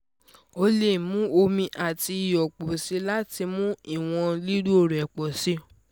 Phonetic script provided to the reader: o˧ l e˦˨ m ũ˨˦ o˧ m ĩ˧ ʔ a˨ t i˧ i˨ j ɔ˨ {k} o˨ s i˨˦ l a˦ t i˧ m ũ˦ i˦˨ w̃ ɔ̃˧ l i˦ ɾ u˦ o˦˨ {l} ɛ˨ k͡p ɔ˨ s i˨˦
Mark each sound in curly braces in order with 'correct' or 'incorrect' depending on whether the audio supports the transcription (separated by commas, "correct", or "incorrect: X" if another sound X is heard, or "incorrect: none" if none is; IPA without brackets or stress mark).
incorrect: k͡p, incorrect: ɾ